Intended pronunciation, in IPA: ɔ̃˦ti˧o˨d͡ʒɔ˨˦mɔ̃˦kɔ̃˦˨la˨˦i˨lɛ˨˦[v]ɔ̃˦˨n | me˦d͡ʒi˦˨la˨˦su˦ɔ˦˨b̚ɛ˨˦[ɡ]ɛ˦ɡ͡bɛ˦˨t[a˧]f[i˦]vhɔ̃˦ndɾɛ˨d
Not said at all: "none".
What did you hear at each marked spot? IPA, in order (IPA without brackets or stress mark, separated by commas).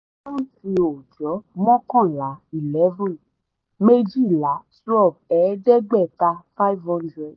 v, d, a˧, a˦